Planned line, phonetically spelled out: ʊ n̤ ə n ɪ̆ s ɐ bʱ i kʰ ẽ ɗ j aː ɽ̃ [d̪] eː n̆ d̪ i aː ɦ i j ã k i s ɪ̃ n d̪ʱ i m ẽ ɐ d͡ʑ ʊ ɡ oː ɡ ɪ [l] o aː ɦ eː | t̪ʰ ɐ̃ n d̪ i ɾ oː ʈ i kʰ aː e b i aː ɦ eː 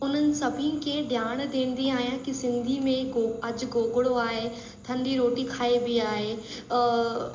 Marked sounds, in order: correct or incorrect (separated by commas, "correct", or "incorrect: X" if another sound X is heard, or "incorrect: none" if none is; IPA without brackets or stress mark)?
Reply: correct, incorrect: ɽ